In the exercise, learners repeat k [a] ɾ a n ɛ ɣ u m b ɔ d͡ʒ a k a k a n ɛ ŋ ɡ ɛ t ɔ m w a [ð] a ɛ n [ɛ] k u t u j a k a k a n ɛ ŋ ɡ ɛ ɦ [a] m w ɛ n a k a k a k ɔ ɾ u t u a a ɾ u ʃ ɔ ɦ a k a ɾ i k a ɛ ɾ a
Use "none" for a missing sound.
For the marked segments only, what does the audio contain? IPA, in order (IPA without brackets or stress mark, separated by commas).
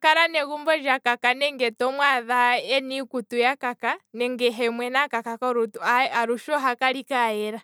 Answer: a, ð, i, ɛ